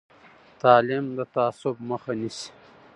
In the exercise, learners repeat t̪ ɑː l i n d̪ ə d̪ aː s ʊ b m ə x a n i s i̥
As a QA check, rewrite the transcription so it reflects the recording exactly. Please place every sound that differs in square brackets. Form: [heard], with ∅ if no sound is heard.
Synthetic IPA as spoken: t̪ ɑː l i [m] d̪ ə [t̪] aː s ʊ b m ə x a n i s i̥